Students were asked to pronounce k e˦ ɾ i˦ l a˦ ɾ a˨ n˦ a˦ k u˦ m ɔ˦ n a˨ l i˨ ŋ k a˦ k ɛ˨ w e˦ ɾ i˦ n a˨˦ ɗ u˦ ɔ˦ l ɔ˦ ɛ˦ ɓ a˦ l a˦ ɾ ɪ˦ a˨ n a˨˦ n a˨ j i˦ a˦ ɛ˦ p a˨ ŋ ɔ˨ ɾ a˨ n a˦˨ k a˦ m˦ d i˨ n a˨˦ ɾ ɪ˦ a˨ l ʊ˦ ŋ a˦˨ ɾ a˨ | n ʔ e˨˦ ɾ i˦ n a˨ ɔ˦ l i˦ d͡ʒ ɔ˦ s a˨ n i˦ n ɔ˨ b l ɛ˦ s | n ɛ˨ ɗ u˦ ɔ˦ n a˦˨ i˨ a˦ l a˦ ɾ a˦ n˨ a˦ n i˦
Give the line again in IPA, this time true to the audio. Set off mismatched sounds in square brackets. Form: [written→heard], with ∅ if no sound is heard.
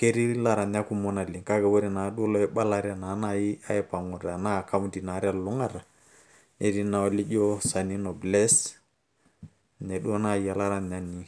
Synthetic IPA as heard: k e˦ ɾ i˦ l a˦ ɾ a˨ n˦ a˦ k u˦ m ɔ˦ n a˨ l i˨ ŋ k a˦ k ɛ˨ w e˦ ɾ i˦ n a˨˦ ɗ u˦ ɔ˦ l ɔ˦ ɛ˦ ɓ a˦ l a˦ ɾ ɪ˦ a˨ n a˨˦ n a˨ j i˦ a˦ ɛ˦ p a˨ ŋ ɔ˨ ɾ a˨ n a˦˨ k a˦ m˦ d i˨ n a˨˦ ɾ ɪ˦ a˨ l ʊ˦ ŋ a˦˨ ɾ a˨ | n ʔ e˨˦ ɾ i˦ n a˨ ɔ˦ l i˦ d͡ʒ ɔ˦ s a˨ n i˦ n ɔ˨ b l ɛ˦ s | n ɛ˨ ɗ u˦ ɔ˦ n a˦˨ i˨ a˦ l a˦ ɾ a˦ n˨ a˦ n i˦

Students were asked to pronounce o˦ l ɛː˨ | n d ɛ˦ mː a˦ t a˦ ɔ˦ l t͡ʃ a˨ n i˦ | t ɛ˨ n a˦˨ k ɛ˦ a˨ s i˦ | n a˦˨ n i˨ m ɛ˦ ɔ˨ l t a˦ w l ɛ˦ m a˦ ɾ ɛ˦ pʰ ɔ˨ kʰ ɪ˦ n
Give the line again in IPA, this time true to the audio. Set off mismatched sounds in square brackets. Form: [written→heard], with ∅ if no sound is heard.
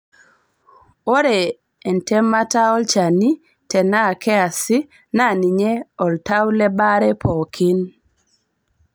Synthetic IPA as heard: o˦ [l→ɾ] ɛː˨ | n [d→t] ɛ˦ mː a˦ t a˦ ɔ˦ l t͡ʃ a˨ n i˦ | t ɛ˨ n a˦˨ k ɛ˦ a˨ s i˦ | n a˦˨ n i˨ [m→ɲ] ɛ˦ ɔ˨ l t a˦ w l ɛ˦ [m→b] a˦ ɾ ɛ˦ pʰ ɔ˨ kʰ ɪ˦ n

